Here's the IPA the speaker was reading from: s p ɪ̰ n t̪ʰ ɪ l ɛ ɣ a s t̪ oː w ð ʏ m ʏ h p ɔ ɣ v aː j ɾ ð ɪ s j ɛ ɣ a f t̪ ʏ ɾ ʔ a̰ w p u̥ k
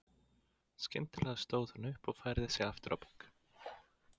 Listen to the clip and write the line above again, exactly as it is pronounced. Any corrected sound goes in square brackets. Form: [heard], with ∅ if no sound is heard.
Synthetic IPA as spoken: s [c] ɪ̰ n [t̪] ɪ l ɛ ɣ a s t̪ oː w ð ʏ [n] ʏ h p ɔ ɣ [f] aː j ɾ ð ɪ s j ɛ ɣ a f t̪ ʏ ɾ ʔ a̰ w p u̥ k